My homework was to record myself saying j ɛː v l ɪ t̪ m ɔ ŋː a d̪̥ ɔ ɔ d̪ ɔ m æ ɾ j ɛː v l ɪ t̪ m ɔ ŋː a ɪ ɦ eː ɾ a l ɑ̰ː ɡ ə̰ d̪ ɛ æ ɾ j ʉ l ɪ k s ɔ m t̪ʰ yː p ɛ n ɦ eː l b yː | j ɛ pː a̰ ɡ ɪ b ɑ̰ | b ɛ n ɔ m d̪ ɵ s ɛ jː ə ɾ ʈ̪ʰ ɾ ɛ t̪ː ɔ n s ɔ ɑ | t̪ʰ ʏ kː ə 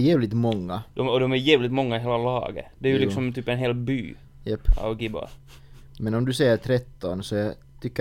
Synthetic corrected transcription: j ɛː v l ɪ t̪ m ɔ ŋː a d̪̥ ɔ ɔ d̪ ɔ m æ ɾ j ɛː v l ɪ t̪ m ɔ ŋː a ɪ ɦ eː l a l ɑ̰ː ɡ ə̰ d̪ ɛ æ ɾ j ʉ l ɪ k s ɔ m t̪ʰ yː p ɛ n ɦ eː l b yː | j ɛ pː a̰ ɡ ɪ b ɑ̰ | m ɛ n ɔ m d̪ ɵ s ɛ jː ə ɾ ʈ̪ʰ ɾ ɛ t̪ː ɔ n s ɔ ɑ | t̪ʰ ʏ kː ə